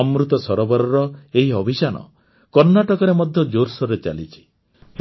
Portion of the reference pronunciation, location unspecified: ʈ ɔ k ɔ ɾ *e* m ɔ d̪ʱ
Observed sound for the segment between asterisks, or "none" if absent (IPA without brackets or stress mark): e